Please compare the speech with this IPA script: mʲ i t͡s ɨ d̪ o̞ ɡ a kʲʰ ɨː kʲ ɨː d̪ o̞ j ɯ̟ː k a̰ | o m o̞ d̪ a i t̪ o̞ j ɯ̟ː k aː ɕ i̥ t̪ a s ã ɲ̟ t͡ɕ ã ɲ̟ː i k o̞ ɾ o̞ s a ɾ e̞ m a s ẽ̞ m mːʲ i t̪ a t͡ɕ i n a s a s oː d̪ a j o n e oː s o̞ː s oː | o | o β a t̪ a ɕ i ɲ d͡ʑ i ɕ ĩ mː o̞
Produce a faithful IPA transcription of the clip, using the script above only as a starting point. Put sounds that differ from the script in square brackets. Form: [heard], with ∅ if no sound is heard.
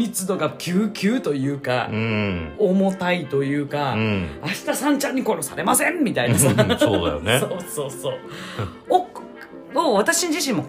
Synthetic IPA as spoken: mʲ i t͡s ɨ d̪ o̞ ɡ a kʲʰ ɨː kʲ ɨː [t̪] o̞ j ɯ̟ː k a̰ | o m o̞ [t̪] a i t̪ o̞ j ɯ̟ː k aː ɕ i̥ t̪ a s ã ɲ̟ t͡ɕ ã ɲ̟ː i k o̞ ɾ o̞ s a ɾ e̞ m a s ẽ̞ m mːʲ i t̪ a [∅] i n a s a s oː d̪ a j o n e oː s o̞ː s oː | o | o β a t̪ a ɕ i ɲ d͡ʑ i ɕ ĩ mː o̞